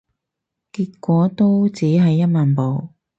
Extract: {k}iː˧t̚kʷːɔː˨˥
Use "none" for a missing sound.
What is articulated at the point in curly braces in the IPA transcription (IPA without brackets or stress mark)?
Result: k